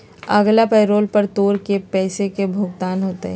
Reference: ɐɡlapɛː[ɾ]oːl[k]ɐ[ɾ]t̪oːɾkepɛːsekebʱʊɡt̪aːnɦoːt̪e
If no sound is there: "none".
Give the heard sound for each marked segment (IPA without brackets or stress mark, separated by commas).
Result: ɾ, p, ɾ